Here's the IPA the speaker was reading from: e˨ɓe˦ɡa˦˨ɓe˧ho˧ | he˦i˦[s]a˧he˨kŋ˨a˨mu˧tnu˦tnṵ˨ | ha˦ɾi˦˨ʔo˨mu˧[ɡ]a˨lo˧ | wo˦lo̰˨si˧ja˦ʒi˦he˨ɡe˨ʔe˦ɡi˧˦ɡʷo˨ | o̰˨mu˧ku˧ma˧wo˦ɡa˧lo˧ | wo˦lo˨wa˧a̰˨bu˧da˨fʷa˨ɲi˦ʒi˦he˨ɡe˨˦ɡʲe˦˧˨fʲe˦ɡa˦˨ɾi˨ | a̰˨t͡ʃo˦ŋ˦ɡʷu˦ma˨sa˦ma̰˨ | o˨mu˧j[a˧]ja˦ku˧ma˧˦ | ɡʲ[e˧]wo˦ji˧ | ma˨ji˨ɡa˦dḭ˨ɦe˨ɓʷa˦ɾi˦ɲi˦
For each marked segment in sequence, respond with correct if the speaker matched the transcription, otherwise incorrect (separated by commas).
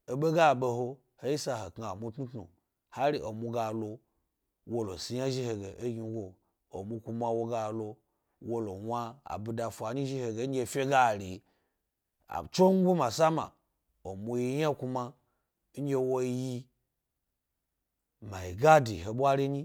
correct, correct, incorrect, correct